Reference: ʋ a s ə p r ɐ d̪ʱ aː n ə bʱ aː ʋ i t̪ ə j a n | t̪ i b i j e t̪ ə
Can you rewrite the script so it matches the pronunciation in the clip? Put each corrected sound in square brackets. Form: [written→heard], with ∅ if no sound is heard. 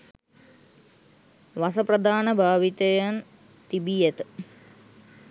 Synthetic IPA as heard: ʋ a s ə p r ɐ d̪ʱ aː n ə bʱ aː ʋ i t̪ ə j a n | t̪ i b i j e t̪ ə